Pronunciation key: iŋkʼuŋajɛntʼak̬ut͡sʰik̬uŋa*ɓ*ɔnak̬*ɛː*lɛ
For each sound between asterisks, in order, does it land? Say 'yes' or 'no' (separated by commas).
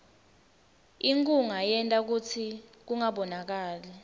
yes, no